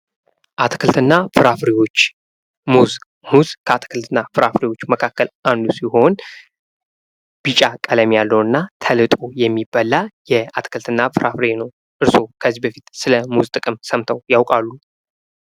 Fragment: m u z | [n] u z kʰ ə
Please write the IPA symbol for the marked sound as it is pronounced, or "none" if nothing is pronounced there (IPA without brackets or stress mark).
m